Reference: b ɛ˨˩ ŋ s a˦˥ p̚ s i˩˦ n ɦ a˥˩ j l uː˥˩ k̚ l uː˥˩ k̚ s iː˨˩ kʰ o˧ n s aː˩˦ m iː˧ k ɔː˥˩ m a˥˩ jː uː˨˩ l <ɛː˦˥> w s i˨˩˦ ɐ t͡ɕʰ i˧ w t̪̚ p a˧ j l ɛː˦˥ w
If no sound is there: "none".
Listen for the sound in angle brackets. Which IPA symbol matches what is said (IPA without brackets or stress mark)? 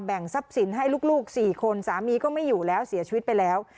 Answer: ɛː˦˥